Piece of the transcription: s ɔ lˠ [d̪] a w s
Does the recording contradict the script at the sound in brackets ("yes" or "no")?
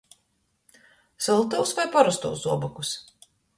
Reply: yes